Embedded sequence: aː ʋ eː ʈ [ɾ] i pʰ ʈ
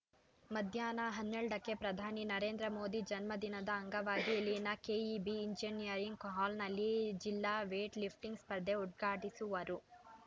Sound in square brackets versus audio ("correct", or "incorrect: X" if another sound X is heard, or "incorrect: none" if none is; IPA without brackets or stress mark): incorrect: l